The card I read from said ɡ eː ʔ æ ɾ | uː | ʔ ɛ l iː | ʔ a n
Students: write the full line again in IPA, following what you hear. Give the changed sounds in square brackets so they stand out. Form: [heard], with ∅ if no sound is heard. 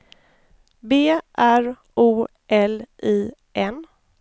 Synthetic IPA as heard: [b] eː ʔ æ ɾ | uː | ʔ ɛ l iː | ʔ [ɛ] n